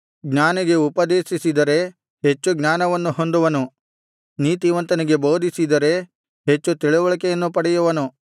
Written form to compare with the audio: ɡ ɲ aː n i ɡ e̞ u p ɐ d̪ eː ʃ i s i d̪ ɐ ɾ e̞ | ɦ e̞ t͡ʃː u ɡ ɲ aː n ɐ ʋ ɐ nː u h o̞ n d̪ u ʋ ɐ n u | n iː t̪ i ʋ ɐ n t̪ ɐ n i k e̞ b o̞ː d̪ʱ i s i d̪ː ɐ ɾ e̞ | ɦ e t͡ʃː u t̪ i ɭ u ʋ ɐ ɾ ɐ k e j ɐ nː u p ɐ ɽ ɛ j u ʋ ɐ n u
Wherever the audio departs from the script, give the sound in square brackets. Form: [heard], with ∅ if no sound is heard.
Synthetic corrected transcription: ɡ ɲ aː n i ɡ e̞ u p ɐ d̪ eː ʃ i s i d̪ ɐ ɾ e̞ | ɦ e̞ t͡ʃː u ɡ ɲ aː n ɐ ʋ ɐ nː u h o̞ n d̪ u ʋ ɐ n u | n iː t̪ i ʋ ɐ n t̪ ɐ n i [ɡ] e̞ b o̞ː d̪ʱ i s i [d̪] ɐ ɾ e̞ | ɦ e t͡ʃː u t̪ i ɭ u ʋ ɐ [ɭ] ɐ k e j ɐ nː u p ɐ ɽ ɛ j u ʋ ɐ n u

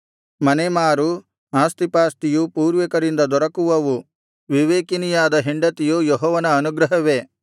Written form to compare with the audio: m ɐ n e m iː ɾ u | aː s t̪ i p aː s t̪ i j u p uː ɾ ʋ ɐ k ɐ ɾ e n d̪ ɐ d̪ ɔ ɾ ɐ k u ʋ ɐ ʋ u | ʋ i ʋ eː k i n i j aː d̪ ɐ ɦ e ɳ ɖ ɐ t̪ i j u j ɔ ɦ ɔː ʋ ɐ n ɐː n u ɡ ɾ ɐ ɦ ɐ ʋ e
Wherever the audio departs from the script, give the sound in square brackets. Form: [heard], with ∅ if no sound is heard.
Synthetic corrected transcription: m ɐ n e m [aː] ɾ u | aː s t̪ i p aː s t̪ i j u p uː ɾ ʋ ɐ k ɐ ɾ [i] n d̪ ɐ d̪ ɔ ɾ ɐ k u ʋ ɐ ʋ u | ʋ i ʋ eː k i n i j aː d̪ ɐ ɦ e ɳ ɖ ɐ t̪ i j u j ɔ ɦ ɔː ʋ ɐ n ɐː n u ɡ ɾ ɐ ɦ ɐ ʋ e

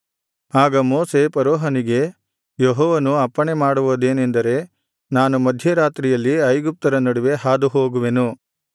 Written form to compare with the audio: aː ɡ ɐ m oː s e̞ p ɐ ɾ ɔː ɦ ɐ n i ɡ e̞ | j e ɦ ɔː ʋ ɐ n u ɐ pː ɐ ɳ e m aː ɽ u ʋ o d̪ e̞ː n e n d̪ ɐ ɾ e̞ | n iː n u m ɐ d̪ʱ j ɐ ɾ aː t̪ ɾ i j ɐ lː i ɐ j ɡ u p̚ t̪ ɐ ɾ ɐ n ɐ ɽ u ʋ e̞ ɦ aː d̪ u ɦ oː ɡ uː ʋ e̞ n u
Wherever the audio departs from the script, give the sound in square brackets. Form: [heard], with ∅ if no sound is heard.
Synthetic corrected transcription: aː ɡ ɐ m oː s e̞ p ɐ ɾ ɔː ɦ ɐ n i ɡ e̞ | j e ɦ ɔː ʋ ɐ n u ɐ pː ɐ ɳ e m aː ɽ u ʋ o d̪ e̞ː n e n d̪ ɐ ɾ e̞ | n [aː] n u m ɐ d̪ʱ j ɐ ɾ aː t̪ ɾ i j ɐ lː i ɐ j ɡ u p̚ t̪ ɐ ɾ ɐ n ɐ ɽ u ʋ e̞ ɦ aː d̪ u ɦ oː ɡ [u] ʋ e̞ n u

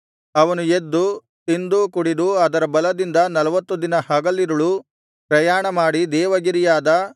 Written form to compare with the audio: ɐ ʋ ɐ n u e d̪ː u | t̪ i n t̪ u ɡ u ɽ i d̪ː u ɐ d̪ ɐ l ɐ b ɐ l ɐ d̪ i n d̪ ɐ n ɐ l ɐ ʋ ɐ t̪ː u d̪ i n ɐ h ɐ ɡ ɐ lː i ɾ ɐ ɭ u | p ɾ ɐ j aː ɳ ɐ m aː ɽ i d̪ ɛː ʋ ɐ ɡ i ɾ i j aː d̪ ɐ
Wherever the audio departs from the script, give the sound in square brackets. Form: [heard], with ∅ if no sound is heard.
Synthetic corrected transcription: ɐ ʋ ɐ n u e d̪ː u | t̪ i n [d̪] u [k] u ɽ i [d̪] u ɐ d̪ ɐ [ɾ] ɐ b ɐ l ɐ d̪ i n d̪ ɐ n ɐ l ɐ ʋ ɐ t̪ː u d̪ i n ɐ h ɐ ɡ ɐ lː i ɾ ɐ ɭ u | p ɾ ɐ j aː ɳ ɐ m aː ɽ i d̪ ɛː ʋ ɐ ɡ i ɾ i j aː d̪ ɐ

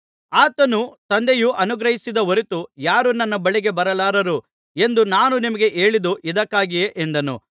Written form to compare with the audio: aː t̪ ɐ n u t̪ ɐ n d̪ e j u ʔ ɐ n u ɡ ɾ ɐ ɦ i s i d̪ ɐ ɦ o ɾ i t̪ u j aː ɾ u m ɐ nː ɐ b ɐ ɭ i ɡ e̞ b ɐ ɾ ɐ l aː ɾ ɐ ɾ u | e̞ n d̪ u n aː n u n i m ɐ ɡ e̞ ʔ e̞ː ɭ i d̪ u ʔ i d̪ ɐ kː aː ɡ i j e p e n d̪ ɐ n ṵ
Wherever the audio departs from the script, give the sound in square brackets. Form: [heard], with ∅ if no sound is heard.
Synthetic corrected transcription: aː t̪ ɐ n u t̪ ɐ n d̪ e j u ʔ ɐ n u ɡ ɾ ɐ ɦ i s i d̪ ɐ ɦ o ɾ i t̪ u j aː ɾ u [n] ɐ nː ɐ b ɐ ɭ i ɡ e̞ b ɐ ɾ ɐ l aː ɾ ɐ ɾ u | e̞ n d̪ u n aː n u n i m ɐ ɡ e̞ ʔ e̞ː ɭ i d̪ u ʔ i d̪ ɐ kː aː ɡ i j e [ʔ] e n d̪ ɐ n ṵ

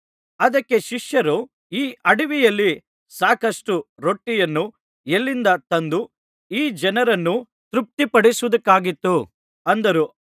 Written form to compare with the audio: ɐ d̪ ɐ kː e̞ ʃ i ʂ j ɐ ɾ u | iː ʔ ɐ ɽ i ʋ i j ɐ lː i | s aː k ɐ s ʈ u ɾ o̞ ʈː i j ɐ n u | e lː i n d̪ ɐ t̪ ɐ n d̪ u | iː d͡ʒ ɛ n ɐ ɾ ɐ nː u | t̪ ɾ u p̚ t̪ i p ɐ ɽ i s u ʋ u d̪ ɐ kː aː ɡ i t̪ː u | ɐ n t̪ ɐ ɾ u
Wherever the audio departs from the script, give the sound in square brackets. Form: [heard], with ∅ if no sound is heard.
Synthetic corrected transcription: ɐ d̪ ɐ kː e̞ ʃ i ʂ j ɐ ɾ u | iː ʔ ɐ ɽ i ʋ i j ɐ lː i | s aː k ɐ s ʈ u ɾ o̞ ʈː i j ɐ [nː] u | e lː i n d̪ ɐ t̪ ɐ n d̪ u | iː d͡ʒ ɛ n ɐ ɾ ɐ nː u | t̪ ɾ u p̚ t̪ i p ɐ ɽ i s u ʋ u d̪ ɐ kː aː ɡ i t̪ː u | ɐ n [d̪] ɐ ɾ u

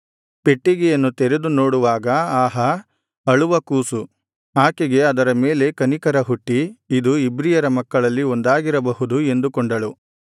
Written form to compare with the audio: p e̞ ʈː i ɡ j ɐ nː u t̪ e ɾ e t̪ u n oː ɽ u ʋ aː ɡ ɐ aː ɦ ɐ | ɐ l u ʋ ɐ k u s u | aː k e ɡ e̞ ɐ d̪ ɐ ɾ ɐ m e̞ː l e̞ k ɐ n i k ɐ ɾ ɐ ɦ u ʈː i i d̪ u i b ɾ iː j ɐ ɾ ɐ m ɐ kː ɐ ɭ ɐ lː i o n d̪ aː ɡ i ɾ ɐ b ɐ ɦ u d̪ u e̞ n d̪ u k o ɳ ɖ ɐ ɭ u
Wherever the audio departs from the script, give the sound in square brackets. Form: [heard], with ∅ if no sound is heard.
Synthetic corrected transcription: p e̞ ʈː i ɡ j ɐ nː u t̪ e ɾ e [d̪] u n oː ɽ u ʋ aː ɡ ɐ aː ɦ ɐ | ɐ [ɭ] u ʋ ɐ k [uː] s u | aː k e ɡ e̞ ɐ d̪ ɐ ɾ ɐ m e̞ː l e̞ k ɐ n i k ɐ ɾ ɐ ɦ u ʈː i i d̪ u i b ɾ [i] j ɐ ɾ ɐ m ɐ kː ɐ ɭ ɐ lː i o n d̪ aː ɡ i ɾ ɐ b ɐ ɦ u d̪ u e̞ n d̪ u k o ɳ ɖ ɐ ɭ u

